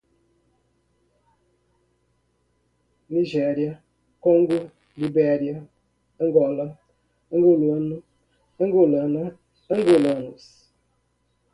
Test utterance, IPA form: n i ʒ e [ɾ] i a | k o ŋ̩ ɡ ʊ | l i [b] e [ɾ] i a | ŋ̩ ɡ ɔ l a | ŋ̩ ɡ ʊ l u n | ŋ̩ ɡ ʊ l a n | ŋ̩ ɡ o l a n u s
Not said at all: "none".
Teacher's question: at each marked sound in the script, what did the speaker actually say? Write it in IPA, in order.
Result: ɾ, b, ɾ

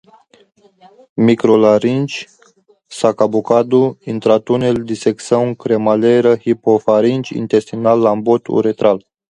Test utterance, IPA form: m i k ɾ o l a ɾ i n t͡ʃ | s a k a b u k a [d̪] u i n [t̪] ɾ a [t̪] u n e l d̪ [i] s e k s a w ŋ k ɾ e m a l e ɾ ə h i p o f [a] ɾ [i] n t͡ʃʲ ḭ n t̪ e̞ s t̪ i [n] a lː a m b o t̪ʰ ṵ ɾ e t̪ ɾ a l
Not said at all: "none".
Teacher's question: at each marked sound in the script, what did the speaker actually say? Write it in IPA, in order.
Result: d̪, t̪, t̪, i, a, i, n

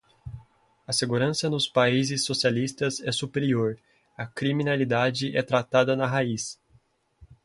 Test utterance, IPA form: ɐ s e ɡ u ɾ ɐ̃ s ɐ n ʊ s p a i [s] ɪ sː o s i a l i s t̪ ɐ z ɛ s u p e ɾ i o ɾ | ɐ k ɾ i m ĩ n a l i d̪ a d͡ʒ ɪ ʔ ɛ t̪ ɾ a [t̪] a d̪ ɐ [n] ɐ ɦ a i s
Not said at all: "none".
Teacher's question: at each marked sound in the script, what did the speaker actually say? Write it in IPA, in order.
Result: z, t̪, n

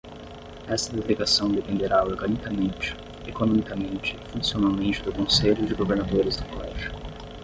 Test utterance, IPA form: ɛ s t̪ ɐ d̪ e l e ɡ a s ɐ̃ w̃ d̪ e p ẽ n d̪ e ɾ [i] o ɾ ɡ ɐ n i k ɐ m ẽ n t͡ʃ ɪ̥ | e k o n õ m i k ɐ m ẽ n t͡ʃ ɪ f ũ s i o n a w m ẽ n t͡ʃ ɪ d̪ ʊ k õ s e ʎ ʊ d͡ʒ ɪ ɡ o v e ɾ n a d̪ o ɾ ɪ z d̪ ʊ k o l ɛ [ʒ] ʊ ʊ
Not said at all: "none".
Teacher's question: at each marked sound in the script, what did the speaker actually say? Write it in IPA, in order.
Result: a, ʒ

